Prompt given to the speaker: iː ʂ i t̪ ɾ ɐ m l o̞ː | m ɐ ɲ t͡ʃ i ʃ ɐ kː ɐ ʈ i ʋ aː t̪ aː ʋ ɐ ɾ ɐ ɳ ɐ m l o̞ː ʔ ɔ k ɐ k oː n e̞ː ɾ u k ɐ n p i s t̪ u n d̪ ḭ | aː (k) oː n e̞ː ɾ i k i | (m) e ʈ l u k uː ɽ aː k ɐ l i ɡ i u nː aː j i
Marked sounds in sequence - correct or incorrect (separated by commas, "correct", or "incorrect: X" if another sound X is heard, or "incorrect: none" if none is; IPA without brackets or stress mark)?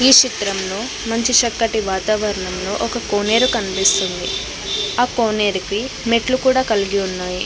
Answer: correct, correct